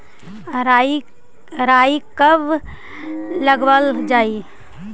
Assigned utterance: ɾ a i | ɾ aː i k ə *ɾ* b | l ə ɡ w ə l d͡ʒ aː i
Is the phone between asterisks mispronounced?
yes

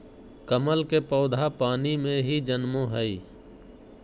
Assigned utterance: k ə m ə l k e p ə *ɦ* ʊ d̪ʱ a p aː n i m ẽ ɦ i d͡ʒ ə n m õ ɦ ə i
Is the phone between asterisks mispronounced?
yes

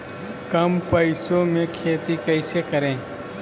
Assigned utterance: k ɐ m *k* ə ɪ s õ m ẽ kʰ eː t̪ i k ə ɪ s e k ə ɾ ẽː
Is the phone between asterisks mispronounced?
yes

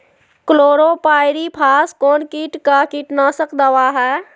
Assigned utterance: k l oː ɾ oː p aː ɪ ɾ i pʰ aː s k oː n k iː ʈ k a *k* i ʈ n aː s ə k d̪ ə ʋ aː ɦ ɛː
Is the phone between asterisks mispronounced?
no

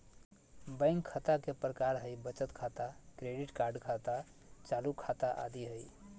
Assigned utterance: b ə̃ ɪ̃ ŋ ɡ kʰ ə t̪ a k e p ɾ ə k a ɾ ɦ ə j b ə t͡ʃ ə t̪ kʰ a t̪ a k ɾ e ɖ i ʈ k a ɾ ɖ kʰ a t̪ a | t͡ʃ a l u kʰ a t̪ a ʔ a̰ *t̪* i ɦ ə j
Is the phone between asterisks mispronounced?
yes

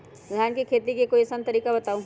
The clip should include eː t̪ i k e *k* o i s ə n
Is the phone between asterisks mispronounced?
no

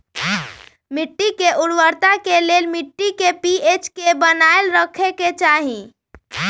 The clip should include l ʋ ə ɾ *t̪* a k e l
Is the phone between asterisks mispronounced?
no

